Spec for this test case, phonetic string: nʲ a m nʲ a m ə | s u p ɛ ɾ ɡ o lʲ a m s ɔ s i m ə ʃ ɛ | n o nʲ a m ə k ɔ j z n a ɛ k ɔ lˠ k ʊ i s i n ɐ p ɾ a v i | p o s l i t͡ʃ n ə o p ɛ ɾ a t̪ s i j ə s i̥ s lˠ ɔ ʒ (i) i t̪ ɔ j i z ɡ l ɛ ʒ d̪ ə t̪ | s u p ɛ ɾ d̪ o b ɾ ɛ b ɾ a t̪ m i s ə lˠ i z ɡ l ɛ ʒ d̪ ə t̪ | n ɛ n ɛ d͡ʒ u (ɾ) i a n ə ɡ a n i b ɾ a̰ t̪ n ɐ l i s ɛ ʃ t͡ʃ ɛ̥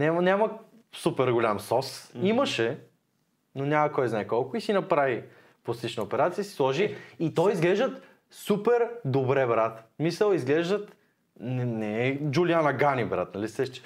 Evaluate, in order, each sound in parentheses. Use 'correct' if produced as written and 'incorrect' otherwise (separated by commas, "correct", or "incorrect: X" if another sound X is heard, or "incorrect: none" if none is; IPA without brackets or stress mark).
correct, incorrect: l